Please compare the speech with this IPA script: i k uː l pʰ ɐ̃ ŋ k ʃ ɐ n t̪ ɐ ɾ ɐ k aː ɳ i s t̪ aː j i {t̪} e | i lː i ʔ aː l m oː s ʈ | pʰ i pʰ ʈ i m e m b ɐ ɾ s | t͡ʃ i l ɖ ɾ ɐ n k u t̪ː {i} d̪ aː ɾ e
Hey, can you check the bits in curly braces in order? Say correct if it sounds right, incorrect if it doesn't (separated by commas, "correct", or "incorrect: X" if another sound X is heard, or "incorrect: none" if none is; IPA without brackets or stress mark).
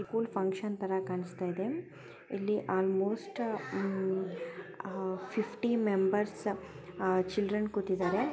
incorrect: d̪, correct